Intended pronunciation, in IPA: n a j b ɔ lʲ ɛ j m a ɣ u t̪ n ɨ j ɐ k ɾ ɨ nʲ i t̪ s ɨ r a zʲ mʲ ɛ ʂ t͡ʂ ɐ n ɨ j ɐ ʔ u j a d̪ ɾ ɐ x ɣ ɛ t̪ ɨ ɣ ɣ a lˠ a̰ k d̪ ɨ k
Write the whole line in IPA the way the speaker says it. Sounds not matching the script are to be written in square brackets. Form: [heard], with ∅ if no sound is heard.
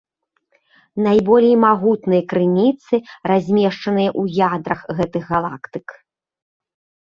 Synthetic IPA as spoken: n a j b ɔ lʲ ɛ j m a ɣ u t̪ n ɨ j ɐ k ɾ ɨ nʲ i t̪ s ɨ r a zʲ mʲ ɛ ʂ t͡ʂ ɐ n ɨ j ɐ ʔ u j a d̪ ɾ ɐ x ɣ ɛ t̪ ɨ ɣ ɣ a lˠ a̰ k [t̪] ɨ k

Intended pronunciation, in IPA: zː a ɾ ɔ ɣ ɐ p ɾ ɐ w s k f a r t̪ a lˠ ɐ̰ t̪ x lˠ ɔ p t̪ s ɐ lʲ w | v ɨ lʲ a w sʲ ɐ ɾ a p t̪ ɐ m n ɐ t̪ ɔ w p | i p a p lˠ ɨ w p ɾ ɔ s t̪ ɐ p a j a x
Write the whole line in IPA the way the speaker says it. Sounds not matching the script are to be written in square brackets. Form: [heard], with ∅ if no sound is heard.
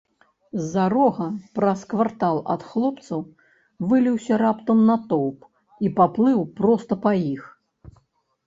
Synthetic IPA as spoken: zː a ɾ ɔ ɣ ɐ p ɾ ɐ [∅] s k [v] a r t̪ a lˠ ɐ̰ t̪ x lˠ ɔ p t̪ s ɐ [∅] w | v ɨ lʲ [i] w sʲ ɐ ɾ a p t̪ ɐ m n ɐ t̪ ɔ w p | i p a p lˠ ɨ w p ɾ ɔ s t̪ ɐ p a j [i] x

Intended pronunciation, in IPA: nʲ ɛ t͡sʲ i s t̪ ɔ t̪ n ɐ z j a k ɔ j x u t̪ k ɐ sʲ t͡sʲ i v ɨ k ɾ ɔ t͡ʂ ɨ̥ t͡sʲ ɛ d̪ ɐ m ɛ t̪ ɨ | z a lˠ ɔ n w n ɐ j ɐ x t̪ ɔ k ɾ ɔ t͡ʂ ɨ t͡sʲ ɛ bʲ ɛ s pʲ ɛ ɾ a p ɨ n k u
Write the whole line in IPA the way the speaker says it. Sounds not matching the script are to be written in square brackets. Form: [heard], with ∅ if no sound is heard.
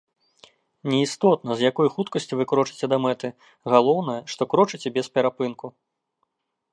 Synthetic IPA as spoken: nʲ ɛ [∅] i s t̪ ɔ t̪ n ɐ z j a k ɔ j x u t̪ k ɐ sʲ t͡sʲ i v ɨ k ɾ ɔ t͡ʂ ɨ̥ t͡sʲ ɛ d̪ ɐ m ɛ t̪ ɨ | [ɣ] a lˠ ɔ [∅] w n ɐ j ɐ [ʂ] t̪ ɔ k ɾ ɔ t͡ʂ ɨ t͡sʲ ɛ bʲ ɛ s pʲ ɛ ɾ a p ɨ n k u

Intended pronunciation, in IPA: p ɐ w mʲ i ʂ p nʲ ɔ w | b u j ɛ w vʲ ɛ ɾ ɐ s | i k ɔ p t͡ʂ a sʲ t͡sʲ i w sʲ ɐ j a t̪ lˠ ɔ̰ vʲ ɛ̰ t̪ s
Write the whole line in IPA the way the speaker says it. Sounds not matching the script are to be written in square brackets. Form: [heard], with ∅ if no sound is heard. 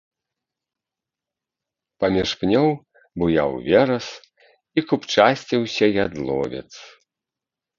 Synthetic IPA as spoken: p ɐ [∅] mʲ i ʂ p nʲ ɔ w | b u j [a] w vʲ ɛ ɾ ɐ s | i k [u] p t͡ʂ a sʲ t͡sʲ i w sʲ ɐ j a [d̪] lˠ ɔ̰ vʲ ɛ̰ t̪ s

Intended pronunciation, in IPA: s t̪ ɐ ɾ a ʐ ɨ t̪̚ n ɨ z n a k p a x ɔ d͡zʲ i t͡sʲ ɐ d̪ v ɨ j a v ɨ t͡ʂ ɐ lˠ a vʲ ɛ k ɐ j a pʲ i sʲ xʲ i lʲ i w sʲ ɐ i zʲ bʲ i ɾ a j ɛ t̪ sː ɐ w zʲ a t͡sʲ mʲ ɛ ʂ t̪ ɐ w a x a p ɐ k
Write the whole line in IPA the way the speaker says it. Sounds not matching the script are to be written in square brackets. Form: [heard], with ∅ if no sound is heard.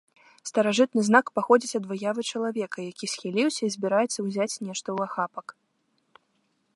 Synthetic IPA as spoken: s t̪ ɐ ɾ a ʐ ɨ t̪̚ n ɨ z n a k p a x ɔ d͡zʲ i t͡sʲ ɐ d̪ v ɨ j a v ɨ t͡ʂ ɐ lˠ a vʲ ɛ k ɐ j a [kʲ] i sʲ xʲ i lʲ i w sʲ ɐ i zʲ bʲ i ɾ a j ɛ t̪ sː ɐ w zʲ a t͡sʲ [nʲ] ɛ ʂ t̪ ɐ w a x a p ɐ k

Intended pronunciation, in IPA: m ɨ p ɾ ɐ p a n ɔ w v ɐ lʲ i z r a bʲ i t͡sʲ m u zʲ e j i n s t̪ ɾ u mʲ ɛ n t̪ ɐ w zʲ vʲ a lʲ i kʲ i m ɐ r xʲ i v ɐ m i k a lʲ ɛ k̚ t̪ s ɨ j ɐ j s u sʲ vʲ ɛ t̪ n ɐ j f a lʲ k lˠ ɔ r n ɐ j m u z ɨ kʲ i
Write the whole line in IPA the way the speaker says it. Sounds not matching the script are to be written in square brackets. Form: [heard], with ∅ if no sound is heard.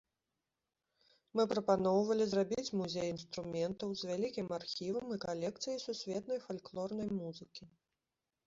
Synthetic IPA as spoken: m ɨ p ɾ ɐ p a n ɔ w v ɐ lʲ i z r a bʲ i t͡sʲ m u zʲ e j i n s t̪ ɾ u mʲ ɛ n t̪ ɐ w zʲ vʲ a lʲ i kʲ i m [a] r xʲ i v ɐ m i k a lʲ ɛ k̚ t̪ s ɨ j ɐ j s u sʲ vʲ ɛ t̪ n ɐ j f a lʲ k lˠ ɔ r n ɐ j m u z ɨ kʲ i

